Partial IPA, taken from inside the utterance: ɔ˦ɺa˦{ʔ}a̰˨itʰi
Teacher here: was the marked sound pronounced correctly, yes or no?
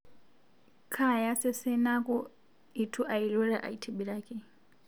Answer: yes